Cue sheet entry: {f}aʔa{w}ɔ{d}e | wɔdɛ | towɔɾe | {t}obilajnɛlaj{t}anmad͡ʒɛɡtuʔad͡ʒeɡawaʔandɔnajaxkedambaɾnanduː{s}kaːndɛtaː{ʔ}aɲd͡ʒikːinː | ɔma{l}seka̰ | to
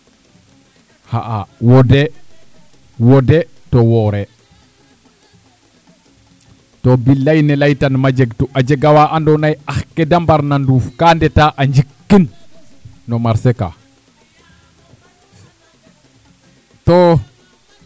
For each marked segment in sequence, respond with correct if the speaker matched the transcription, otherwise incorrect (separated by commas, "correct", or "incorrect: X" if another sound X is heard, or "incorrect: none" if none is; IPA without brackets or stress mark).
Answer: incorrect: h, correct, correct, correct, correct, incorrect: f, correct, incorrect: ɾ